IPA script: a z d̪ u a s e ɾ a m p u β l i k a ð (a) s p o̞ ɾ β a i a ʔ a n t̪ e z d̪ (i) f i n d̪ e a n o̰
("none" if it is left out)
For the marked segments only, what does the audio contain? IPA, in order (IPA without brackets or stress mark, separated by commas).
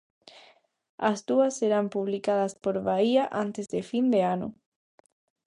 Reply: a, e